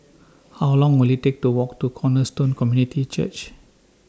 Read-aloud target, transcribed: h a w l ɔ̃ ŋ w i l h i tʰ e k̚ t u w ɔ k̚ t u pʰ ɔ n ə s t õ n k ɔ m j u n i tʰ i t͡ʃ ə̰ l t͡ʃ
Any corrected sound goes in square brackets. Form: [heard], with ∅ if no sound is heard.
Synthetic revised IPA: h a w l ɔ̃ ŋ w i l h i [t] e k̚ t u w ɔ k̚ t u [kʰ] ɔ n ə s t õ n k ɔ m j u n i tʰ i t͡ʃ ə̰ [∅] t͡ʃ